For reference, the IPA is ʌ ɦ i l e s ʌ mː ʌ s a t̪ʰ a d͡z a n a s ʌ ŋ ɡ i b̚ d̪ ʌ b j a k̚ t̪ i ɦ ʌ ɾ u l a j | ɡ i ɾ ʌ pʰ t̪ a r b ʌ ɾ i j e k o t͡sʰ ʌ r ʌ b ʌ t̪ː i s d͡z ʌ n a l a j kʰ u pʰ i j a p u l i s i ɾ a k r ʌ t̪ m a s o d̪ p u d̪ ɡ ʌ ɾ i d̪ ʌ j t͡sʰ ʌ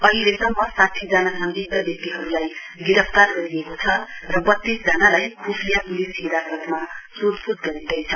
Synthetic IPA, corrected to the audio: ʌ ɦ i l e s ʌ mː ʌ s a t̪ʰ i d͡z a n a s ʌ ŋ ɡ i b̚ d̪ ʌ b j ʌ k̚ t̪ i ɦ ʌ ɾ u l a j | ɡ i ɾ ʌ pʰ t̪ a r ɡ ʌ ɾ i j e k o t͡sʰ ʌ r ʌ b ʌ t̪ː i s d͡z ʌ n a l a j kʰ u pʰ i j a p u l i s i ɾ a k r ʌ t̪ m a s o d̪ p u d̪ ɡ ʌ ɾ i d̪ ʌ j t͡sʰ ʌ